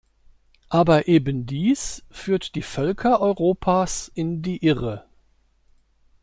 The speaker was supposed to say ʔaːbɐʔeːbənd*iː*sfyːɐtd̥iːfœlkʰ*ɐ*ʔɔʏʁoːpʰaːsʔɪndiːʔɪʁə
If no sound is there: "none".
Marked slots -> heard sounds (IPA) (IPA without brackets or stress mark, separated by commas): iː, ɐ